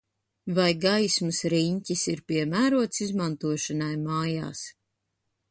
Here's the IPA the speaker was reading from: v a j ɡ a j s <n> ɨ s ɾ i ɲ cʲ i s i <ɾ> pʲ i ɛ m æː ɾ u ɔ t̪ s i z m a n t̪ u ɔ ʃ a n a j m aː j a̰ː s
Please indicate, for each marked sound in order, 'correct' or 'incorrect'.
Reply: incorrect, correct

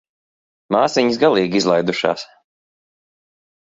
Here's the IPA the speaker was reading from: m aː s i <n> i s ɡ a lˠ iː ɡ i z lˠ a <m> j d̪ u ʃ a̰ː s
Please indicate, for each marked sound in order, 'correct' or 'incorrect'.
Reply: incorrect, incorrect

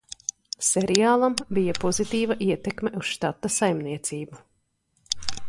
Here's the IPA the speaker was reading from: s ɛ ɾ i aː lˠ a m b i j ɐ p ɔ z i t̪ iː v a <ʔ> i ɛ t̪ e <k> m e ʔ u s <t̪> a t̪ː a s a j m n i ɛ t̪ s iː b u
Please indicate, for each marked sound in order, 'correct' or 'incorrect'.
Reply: correct, correct, correct

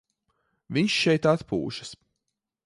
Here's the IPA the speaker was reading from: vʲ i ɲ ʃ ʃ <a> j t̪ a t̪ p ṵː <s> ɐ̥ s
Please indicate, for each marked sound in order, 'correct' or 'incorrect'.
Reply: incorrect, incorrect

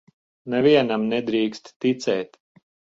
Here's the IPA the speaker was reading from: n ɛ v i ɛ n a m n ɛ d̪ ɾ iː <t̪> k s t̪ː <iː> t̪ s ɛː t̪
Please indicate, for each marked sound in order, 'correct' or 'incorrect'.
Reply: incorrect, incorrect

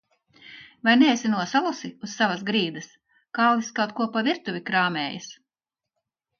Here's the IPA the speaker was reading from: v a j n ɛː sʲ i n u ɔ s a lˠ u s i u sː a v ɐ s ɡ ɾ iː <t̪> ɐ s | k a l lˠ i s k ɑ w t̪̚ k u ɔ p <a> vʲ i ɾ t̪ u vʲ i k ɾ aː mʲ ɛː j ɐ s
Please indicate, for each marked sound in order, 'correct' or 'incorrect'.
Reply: incorrect, correct

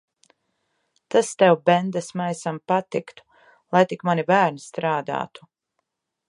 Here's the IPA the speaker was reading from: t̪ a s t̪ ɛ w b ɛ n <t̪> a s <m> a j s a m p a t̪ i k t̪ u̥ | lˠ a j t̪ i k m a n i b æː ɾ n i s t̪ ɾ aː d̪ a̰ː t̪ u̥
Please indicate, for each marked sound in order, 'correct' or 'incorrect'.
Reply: incorrect, correct

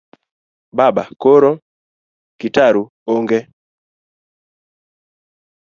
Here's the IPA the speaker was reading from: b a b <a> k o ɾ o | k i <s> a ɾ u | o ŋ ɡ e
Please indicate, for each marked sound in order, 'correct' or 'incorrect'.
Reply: correct, incorrect

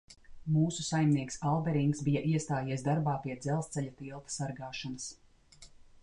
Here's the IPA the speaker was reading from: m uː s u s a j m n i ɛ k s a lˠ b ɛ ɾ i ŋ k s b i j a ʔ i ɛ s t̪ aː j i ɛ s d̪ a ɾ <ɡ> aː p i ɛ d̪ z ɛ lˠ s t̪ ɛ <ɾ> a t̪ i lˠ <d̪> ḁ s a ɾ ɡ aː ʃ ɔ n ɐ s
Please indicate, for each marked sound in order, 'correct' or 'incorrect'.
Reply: incorrect, incorrect, incorrect

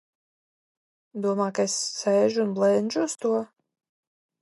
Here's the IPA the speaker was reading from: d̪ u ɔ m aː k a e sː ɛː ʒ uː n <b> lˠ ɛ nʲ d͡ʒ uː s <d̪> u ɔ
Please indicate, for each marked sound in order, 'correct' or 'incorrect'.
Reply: correct, incorrect

